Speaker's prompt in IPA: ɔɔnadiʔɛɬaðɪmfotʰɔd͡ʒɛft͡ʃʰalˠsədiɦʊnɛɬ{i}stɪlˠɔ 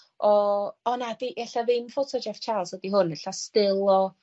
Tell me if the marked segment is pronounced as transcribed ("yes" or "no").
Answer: no